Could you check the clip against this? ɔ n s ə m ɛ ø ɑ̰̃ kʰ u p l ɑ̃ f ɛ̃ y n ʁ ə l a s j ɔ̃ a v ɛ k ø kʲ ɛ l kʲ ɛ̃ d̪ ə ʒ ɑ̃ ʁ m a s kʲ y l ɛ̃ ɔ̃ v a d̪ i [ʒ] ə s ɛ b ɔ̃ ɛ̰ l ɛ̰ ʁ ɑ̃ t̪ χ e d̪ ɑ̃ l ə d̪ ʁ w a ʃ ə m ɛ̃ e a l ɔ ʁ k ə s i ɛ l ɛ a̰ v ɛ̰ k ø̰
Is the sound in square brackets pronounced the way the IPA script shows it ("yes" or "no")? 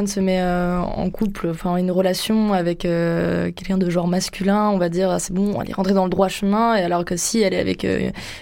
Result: no